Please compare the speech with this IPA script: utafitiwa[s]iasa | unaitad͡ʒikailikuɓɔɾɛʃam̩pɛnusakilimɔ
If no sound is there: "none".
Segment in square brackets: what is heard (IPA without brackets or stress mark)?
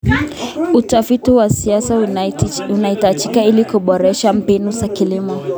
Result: s